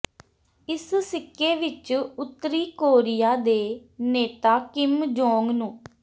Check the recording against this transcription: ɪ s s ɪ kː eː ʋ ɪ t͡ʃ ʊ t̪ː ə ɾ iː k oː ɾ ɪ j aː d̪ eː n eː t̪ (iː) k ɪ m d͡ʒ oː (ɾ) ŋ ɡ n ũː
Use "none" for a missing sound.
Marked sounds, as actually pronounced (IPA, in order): aː, none

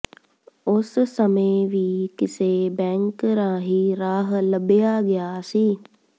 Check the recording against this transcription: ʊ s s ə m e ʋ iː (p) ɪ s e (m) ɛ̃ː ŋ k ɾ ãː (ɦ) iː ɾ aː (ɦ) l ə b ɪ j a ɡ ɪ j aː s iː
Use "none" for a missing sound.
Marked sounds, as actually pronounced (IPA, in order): k, b, ɦ, ɦ

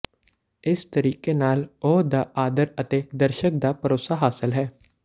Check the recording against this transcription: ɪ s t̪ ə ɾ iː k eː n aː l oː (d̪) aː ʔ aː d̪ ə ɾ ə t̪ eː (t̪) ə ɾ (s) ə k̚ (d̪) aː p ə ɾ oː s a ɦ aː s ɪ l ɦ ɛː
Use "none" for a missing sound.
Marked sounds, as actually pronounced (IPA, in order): d̪, d̪, ʃ, d̪

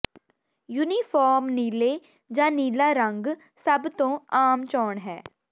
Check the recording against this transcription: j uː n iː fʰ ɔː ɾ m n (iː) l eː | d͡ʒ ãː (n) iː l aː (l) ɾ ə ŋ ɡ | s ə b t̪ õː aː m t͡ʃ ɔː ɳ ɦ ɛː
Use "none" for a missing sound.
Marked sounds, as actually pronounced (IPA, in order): iː, n, none

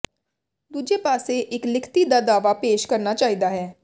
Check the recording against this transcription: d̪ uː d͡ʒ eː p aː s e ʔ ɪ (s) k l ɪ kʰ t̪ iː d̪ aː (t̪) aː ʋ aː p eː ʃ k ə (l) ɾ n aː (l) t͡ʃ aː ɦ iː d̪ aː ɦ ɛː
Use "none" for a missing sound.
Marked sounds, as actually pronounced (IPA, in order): none, d̪, none, none

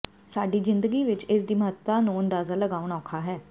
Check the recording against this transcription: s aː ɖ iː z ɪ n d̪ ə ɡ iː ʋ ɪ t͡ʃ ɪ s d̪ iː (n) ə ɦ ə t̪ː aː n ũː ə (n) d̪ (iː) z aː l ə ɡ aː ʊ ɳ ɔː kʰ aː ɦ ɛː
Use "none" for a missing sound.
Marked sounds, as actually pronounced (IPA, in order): m, n, aː

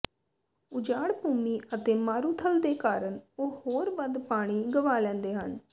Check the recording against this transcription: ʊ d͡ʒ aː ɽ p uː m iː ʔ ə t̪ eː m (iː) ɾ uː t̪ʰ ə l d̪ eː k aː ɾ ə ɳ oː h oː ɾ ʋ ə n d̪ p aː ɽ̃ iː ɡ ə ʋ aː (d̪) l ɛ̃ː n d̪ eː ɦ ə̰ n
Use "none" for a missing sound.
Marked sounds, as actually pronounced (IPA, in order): aː, none

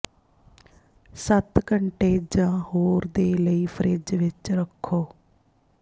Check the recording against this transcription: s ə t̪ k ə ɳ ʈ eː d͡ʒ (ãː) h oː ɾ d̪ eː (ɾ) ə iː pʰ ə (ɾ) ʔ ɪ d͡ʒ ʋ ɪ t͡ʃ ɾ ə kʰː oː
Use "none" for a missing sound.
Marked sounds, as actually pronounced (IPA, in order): ãː, l, ɾ

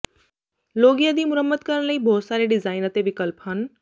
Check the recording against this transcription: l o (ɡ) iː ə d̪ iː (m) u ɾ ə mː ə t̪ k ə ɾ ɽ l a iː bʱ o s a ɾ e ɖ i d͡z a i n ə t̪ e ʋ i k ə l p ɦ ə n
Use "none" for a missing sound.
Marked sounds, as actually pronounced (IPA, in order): ɡ, m

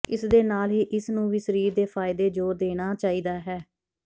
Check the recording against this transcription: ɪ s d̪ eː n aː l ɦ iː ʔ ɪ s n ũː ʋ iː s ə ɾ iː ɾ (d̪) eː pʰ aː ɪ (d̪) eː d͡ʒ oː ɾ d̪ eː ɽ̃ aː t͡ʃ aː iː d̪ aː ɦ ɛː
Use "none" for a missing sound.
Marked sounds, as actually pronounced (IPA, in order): d̪, d̪

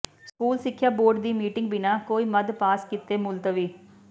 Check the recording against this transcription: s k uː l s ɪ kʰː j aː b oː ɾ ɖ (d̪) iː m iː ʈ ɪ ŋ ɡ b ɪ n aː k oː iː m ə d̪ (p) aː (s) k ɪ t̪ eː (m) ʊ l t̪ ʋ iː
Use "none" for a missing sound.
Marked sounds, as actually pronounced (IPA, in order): d̪, p, s, m

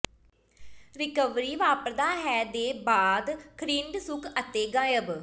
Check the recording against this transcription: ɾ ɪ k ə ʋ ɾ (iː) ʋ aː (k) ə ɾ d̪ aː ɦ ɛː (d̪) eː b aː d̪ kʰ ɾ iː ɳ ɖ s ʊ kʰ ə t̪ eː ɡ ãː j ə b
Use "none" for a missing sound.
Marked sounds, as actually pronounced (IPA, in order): iː, p, d̪

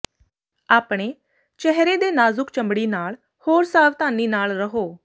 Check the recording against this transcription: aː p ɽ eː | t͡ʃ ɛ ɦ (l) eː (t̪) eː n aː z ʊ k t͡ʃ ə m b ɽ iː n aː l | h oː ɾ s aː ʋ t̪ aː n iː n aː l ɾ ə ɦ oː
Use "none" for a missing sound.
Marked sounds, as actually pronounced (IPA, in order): ɾ, d̪

